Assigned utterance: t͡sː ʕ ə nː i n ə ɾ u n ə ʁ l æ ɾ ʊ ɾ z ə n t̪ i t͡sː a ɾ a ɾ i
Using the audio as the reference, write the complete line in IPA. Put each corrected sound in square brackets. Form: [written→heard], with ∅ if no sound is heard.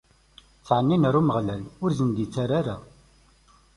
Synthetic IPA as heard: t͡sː ʕ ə nː i n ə ɾ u [n→m] ə ʁ l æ [ɾ→l] ʊ ɾ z ə n [t̪→d̪] i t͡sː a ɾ a ɾ [i→a]